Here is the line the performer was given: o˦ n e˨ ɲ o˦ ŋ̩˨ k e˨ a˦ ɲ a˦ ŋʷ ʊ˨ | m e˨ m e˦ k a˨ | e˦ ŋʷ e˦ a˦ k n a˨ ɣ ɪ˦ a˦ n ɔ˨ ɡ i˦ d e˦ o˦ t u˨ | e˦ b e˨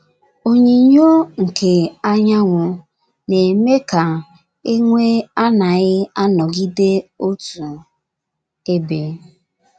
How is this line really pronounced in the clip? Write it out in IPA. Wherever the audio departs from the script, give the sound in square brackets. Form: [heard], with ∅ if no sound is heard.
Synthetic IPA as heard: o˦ [ɲ] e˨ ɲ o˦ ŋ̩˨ k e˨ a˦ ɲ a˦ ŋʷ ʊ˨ | [n] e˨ m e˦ k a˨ | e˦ ŋʷ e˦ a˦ [∅] n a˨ ɣ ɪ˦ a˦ n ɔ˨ ɡ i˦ d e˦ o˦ t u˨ | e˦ b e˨